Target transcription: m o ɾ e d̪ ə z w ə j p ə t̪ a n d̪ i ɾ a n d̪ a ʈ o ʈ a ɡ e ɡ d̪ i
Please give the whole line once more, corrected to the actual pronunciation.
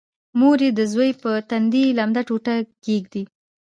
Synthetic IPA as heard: m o ɾ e d̪ ə z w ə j p ə t̪ a n d̪ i l a m d̪ a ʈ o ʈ a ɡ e ɡ d̪ i